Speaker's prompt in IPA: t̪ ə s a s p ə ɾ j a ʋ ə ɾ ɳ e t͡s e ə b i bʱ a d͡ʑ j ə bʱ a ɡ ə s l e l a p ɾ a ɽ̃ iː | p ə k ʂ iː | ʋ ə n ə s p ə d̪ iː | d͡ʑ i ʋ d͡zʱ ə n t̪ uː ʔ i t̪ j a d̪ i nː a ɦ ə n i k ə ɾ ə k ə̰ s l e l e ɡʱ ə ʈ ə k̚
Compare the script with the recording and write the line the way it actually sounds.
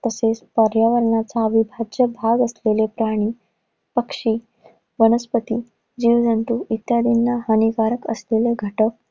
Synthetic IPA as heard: t̪ ə s e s p ə ɾ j a ʋ ə ɾ ɳ a t͡s a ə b i bʱ a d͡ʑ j ə bʱ a ɡ ə s l e l e p ɾ a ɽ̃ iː | p ə k ʂ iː | ʋ ə n ə s p ə t̪ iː | d͡ʑ i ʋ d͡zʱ ə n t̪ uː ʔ i t̪ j a d̪ i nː a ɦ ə n i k a ɾ ə k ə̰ s l e l e ɡʱ ə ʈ ə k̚